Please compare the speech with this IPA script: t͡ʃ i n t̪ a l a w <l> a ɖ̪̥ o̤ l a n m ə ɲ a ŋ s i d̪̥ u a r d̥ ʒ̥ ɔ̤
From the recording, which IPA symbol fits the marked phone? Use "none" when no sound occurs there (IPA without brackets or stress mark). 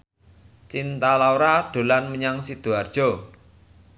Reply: ɾ